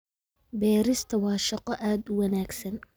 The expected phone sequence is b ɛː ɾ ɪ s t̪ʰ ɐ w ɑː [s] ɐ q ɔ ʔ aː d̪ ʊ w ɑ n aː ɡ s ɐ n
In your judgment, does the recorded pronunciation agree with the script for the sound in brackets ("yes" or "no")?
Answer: no